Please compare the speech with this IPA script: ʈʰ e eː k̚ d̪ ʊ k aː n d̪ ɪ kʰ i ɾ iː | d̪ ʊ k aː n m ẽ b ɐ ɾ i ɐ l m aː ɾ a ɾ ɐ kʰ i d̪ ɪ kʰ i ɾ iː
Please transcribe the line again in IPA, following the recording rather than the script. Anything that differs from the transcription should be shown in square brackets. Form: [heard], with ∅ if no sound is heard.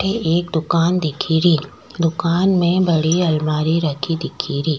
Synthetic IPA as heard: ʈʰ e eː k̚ d̪ ʊ k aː n d̪ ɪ kʰ i ɾ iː | d̪ ʊ k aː n m ẽ b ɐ [ɽ] i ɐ l m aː ɾ [i] ɾ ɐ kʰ i d̪ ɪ kʰ i ɾ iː